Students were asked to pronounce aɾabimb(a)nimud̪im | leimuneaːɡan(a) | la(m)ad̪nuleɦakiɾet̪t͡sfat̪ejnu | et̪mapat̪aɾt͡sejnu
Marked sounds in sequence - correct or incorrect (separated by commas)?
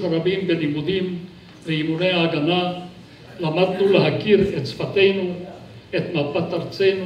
incorrect, correct, correct